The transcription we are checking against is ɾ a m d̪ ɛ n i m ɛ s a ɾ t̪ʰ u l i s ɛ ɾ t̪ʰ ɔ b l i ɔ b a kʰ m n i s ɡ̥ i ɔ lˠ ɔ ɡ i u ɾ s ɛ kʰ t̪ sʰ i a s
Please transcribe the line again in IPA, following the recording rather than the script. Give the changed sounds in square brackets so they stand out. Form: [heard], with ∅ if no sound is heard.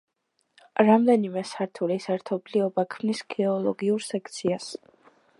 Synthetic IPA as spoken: ɾ a m d̪ ɛ n i m ɛ s a ɾ t̪ʰ u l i s ɛ ɾ t̪ʰ ɔ b l i ɔ b a kʰ m n i s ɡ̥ [ɛ] ɔ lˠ ɔ ɡ i u ɾ s ɛ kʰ t̪ sʰ i a s

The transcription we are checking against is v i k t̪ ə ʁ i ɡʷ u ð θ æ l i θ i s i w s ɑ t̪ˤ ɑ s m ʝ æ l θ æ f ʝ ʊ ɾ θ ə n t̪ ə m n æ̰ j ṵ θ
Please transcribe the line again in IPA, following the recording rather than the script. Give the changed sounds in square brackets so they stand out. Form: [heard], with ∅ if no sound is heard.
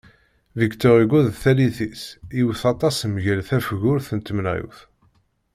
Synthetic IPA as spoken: v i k t̪ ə ʁ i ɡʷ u ð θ æ l i θ i s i w [θ] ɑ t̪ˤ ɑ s m ʝ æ l θ æ f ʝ ʊ ɾ θ ə n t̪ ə m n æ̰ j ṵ θ

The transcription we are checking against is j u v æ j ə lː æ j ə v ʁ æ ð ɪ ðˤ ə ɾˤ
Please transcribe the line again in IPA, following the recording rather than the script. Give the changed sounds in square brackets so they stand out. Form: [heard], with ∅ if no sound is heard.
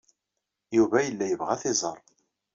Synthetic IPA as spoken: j u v æ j ə lː æ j ə v ʁ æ [θ] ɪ [zˤ] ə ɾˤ

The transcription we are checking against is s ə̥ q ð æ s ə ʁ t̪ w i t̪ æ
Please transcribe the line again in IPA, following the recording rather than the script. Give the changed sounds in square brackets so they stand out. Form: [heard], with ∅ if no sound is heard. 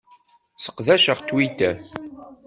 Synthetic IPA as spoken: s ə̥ q ð æ [ʃ] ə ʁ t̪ w i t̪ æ

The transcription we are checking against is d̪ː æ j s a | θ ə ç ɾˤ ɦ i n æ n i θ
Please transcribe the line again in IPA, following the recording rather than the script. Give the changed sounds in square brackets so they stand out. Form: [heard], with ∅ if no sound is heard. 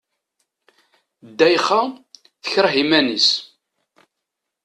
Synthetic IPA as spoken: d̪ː æ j [χ] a | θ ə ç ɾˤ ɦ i [m] æ n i [s]

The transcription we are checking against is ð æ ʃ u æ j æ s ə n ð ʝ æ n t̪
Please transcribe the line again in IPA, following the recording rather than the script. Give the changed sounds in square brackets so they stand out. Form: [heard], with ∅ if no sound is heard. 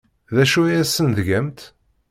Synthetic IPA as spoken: ð æ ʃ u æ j æ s ə n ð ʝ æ [m] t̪

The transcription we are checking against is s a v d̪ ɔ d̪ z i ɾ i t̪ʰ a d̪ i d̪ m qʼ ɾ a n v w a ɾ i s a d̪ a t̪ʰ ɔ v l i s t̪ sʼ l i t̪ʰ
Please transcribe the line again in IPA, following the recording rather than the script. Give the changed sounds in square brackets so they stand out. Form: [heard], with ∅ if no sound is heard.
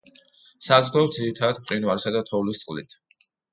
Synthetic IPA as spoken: s a [z] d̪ ɔ d̪ z i ɾ i t̪ʰ a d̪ [a] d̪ m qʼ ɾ [i] n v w a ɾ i s a d̪ a t̪ʰ ɔ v l i s t̪ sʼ l i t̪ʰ

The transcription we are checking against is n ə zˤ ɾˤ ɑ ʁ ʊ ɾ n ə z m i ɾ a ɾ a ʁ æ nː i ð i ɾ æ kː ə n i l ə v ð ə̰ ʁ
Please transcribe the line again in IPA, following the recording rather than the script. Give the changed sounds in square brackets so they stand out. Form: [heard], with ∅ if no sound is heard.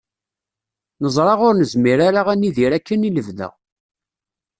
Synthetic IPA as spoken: n ə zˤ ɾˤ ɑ ʁ ʊ ɾ n ə z m i ɾ a ɾ a ʁ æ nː i ð i ɾ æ kː ə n i l ə v ð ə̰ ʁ

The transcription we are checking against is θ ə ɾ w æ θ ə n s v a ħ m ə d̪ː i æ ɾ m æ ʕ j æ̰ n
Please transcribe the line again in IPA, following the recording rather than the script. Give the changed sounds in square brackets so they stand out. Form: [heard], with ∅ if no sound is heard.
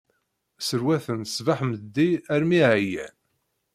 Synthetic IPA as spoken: [s] ə ɾ w æ θ ə n s v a ħ m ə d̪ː i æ ɾ m [i] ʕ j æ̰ n

